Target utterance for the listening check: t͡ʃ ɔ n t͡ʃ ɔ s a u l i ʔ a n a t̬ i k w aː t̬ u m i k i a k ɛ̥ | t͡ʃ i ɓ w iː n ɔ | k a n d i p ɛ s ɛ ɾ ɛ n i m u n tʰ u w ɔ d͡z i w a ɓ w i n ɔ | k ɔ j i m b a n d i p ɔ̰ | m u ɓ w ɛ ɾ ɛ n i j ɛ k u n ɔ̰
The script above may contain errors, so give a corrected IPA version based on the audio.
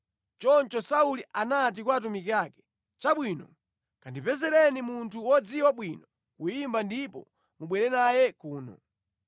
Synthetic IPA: t͡ʃ ɔ n t͡ʃ ɔ s a u l i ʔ a n a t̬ i k w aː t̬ u m i k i a k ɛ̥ | t͡ʃ a ɓ w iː n ɔ | k a n d i p ɛ z ɛ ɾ ɛ n i m u n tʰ u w ɔ d͡z i w a ɓ w i n ɔ | k u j i m b a n d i p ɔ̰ | m u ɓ w ɛ ɾ ɛ n a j ɛ k uː n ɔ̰